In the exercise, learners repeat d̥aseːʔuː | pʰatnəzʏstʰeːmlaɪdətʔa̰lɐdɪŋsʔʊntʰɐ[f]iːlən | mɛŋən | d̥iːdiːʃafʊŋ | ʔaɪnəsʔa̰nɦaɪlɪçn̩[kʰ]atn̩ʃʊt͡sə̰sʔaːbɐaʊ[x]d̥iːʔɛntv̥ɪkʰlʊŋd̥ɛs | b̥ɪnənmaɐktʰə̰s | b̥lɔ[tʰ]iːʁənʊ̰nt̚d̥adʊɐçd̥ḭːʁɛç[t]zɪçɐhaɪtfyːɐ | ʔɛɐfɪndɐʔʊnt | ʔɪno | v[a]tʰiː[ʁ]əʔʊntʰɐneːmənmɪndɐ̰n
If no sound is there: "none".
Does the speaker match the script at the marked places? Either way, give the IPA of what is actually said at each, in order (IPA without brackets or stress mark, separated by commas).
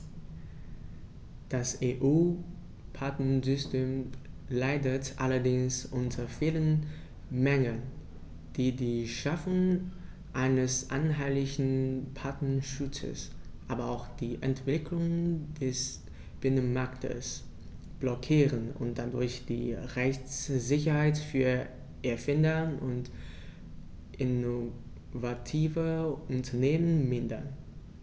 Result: f, pʰ, x, kʰ, t͡s, a, v